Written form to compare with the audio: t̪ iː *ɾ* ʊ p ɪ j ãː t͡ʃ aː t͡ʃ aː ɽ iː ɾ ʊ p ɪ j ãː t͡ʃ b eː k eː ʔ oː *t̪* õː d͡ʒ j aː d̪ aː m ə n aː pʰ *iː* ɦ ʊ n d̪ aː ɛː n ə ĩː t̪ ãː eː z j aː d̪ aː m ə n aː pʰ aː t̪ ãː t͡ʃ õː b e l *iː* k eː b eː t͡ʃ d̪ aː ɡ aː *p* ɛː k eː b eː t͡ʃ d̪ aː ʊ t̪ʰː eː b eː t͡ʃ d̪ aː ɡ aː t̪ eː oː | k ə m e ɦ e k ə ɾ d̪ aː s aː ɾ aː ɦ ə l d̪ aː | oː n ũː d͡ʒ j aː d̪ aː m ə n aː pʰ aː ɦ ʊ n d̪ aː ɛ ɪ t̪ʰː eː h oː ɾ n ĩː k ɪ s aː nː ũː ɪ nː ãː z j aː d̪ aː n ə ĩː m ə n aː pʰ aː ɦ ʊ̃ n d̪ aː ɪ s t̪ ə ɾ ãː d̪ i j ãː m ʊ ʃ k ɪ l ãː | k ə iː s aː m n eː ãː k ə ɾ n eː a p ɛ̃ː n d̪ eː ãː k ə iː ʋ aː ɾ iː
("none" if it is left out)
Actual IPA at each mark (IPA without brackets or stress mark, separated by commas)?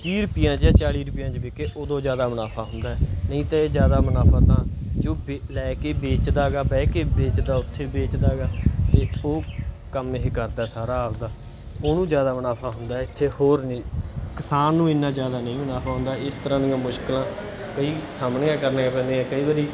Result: ɾ, d̪, aː, ɛː, b